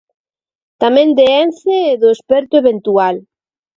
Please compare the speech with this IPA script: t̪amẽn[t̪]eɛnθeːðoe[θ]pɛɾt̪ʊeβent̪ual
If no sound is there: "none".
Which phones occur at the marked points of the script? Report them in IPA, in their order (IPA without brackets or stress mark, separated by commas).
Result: d̪, s